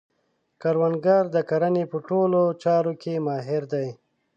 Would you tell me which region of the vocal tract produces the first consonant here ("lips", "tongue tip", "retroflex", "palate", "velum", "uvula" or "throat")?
velum